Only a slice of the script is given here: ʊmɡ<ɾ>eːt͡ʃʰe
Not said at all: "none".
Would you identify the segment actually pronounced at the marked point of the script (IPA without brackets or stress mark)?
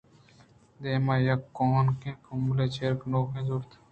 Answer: l